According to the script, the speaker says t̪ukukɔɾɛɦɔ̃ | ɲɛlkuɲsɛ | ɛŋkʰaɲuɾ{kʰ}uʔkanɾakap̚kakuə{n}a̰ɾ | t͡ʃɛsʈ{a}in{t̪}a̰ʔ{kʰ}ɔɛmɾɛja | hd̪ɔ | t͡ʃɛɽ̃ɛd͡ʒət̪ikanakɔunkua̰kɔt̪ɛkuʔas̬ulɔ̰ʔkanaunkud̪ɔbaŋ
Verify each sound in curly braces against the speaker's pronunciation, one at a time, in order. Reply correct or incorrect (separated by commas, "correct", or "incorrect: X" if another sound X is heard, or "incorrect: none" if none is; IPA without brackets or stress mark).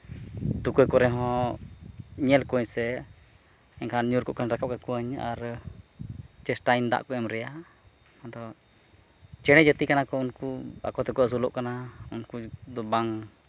incorrect: k, incorrect: ɲ, correct, incorrect: d̪, incorrect: k